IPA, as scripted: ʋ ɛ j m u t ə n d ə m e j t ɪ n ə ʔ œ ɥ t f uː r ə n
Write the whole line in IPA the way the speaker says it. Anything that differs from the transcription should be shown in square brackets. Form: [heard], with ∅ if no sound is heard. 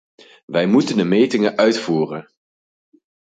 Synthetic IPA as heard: ʋ ɛ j m u t ə n d ə m e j t ɪ [ŋ] ə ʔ œ ɥ t f uː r ə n

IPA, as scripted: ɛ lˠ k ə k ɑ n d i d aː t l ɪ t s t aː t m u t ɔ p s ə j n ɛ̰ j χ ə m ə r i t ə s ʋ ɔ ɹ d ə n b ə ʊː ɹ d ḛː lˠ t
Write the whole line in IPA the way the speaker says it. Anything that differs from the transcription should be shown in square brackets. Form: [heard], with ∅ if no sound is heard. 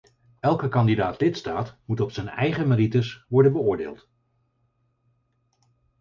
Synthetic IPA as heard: ɛ lˠ k ə k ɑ n d i d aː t l ɪ t s t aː t m u t ɔ p s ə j n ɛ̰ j χ ə m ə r i t ə s ʋ ɔ ɹ d ə n b ə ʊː ɹ d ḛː lˠ t

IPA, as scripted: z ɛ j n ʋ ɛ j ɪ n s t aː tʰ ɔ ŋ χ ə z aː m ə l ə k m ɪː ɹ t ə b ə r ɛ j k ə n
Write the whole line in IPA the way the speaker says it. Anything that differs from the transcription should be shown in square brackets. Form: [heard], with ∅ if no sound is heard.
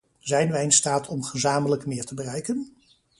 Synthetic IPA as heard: z ɛ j n ʋ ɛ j ɪ n s t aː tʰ ɔ [m] χ ə z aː m ə l ə k m ɪː ɹ t ə b ə r ɛ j k ə n

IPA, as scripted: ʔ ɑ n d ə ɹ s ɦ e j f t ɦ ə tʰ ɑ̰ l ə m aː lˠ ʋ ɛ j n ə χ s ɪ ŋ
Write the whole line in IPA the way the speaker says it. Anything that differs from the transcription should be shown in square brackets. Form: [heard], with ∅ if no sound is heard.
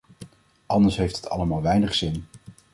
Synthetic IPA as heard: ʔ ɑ n d ə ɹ s ɦ e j f t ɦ ə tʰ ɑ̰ l ə m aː lˠ ʋ ɛ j n ə χ s ɪ [n]

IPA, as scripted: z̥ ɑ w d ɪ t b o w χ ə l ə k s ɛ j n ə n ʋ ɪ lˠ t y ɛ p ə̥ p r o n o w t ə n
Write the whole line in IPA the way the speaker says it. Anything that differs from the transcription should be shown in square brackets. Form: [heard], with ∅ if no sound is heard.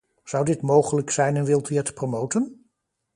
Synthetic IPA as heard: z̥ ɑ w d ɪ t [m] o w χ ə l ə k s ɛ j n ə n ʋ ɪ lˠ t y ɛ [t] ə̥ p r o [m] o w t ə n

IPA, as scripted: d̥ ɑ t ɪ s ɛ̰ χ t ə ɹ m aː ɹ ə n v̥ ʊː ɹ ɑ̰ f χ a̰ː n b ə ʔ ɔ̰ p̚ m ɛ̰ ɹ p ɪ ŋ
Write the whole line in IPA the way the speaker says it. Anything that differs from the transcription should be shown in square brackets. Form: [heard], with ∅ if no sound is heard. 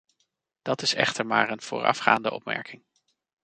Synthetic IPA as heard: d̥ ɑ t ɪ s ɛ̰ χ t ə ɹ m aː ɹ ə n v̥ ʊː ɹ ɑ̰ f χ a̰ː n [d] ə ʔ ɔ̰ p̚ m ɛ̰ ɹ [k] ɪ ŋ

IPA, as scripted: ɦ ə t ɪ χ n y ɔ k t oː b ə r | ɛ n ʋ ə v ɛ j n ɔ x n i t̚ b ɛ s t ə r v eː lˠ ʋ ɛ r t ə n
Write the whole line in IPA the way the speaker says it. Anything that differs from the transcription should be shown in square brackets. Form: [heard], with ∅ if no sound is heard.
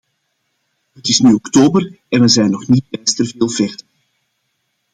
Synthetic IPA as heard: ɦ ə t ɪ [s] n y ɔ k t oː b ə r | ɛ n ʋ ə [z] ɛ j n ɔ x n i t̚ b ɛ s t ə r v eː lˠ [v] ɛ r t ə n

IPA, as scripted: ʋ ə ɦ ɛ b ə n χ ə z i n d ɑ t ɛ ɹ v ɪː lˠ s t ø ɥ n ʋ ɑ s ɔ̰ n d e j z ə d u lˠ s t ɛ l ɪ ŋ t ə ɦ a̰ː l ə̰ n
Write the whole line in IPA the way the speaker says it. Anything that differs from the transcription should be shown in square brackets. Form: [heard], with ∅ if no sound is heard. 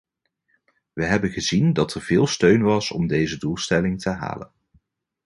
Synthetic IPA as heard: ʋ ə ɦ ɛ b ə n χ ə z i n d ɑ t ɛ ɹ v ɪː lˠ s t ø ɥ n ʋ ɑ s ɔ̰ [m] d e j z ə d u lˠ s t ɛ l ɪ ŋ t ə ɦ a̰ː l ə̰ n

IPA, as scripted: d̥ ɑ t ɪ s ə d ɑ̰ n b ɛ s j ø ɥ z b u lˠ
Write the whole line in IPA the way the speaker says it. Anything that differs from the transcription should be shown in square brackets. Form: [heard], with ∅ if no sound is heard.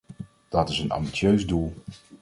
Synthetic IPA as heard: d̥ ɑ t ɪ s ə [n] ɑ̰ [m] b [i] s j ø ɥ z [d] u lˠ

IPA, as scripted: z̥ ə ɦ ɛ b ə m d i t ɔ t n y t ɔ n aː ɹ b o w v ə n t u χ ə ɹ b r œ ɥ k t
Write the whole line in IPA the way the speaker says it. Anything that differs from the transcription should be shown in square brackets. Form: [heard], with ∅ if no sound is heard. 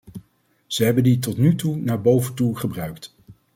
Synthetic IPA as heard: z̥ ə ɦ ɛ b ə [n] d i t ɔ t n y t [u] n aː ɹ b o w v ə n t u χ ə [∅] b r œ ɥ k t

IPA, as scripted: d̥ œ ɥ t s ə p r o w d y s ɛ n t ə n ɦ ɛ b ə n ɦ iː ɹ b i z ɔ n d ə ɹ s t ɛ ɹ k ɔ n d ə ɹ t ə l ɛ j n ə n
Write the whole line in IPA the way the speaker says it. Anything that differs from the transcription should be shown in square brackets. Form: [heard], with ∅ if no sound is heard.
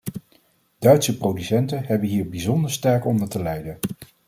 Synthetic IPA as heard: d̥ œ ɥ t s ə p r o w d y s ɛ n t ə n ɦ ɛ b ə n ɦ iː ɹ b i z ɔ n d ə ɹ s t ɛ ɹ k ɔ n d ə ɹ t ə l ɛ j [d] ə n

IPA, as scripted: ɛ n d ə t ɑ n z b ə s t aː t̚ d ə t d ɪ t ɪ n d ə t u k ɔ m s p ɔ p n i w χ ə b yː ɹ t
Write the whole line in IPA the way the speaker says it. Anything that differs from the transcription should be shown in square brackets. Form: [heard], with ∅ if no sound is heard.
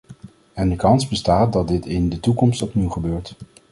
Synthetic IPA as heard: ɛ n d ə [k] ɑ n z b ə s t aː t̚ d [ɑ] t d ɪ t ɪ n d ə t u k ɔ m s [t] ɔ p n i w χ ə b [øː] ɹ t

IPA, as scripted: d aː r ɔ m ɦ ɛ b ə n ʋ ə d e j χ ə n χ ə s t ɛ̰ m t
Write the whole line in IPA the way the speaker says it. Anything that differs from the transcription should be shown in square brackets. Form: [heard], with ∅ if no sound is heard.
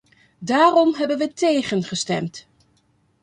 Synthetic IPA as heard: d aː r ɔ m ɦ ɛ b ə n ʋ ə [t] e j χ ə n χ ə s t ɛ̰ m t

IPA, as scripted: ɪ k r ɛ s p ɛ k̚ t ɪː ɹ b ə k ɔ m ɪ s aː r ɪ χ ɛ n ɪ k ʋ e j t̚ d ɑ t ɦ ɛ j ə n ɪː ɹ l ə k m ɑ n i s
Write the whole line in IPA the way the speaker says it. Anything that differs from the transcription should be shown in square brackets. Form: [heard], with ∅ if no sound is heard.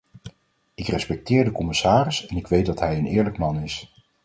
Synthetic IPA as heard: ɪ k r ɛ s p ɛ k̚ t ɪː ɹ [d] ə k ɔ m ɪ s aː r ɪ [s] ɛ n ɪ k ʋ e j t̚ d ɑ t ɦ ɛ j ə n ɪː ɹ l ə k m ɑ n [ɪ] s

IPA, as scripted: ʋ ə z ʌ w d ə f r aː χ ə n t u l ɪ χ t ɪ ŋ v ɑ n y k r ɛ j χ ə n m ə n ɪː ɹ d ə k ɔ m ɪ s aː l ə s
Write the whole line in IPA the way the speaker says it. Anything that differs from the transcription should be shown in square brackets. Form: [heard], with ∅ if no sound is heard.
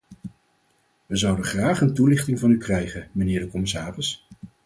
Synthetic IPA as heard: ʋ ə z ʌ w d ə [χ] r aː χ ə n t u l ɪ χ t ɪ ŋ v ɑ n y k r ɛ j χ ə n m ə n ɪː ɹ d ə k ɔ m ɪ s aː [r] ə s

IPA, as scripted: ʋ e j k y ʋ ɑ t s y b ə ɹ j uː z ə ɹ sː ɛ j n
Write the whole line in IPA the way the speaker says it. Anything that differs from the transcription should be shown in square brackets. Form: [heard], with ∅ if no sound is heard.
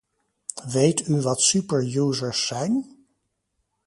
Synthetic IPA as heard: ʋ e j [t] y ʋ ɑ t s y [p] ə ɹ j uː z ə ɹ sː ɛ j n

